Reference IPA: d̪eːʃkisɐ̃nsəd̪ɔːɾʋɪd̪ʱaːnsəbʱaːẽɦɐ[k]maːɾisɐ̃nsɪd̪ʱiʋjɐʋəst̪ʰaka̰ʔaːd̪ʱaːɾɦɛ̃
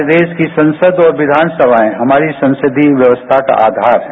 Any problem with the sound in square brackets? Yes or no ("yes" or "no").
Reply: yes